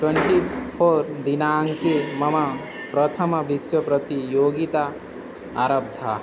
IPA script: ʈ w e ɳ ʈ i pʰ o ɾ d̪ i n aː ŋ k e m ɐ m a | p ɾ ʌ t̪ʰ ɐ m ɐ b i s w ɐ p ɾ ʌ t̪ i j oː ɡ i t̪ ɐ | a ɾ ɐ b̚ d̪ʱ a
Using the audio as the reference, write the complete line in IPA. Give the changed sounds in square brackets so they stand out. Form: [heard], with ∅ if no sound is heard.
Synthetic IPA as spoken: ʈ w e ɳ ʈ i pʰ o ɾ d̪ i n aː ŋ k e m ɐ m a | p ɾ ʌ t̪ʰ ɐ m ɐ b i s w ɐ p ɾ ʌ t̪ i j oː ɡ i t̪ [a] | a ɾ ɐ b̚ d̪ʱ a